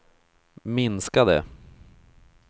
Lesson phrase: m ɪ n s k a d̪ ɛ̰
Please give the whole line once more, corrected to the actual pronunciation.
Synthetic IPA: m ɪ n s k a d̪ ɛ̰